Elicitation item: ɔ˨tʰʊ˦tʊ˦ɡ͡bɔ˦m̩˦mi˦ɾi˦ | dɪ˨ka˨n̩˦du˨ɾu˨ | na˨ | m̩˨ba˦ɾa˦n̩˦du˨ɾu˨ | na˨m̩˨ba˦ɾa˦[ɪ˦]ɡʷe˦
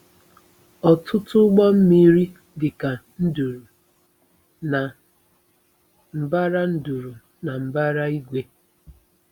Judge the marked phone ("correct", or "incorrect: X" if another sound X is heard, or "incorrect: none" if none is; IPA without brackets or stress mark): incorrect: i˦